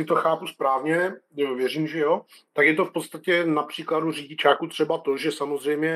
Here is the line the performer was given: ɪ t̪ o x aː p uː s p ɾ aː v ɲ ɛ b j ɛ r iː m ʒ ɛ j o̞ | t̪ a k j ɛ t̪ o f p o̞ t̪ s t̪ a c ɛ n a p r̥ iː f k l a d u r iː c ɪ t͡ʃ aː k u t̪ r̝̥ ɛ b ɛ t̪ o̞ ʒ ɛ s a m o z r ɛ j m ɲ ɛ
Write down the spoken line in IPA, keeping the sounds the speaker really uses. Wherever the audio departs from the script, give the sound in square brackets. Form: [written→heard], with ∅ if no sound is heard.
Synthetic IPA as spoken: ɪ t̪ o x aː p [uː→u] s p ɾ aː v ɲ ɛ [b→v] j ɛ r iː m ʒ ɛ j o̞ | t̪ a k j ɛ t̪ o f p o̞ t̪ s t̪ a c ɛ n a p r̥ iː [f→∅] k l a d u r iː [c→ɟ] ɪ t͡ʃ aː k u t̪ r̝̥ ɛ b [ɛ→a] t̪ o̞ ʒ ɛ s a m o z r ɛ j m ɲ ɛ